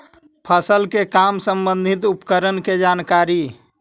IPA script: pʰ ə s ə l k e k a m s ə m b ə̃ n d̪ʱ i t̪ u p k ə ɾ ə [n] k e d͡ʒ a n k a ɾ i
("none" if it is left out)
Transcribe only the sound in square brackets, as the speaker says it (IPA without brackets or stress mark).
n